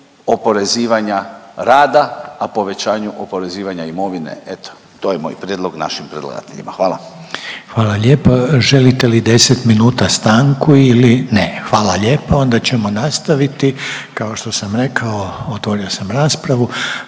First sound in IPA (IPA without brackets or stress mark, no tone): o